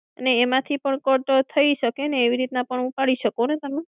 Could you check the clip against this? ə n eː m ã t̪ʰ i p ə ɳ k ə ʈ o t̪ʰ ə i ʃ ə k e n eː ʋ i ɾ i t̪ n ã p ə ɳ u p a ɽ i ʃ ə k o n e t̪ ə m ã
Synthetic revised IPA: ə n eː m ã t̪ʰ i p ə ɳ k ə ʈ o t̪ʰ ə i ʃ ə k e n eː ʋ i ɾ i t̪ n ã p ə ɳ u p a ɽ i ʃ ə k o n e t̪ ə m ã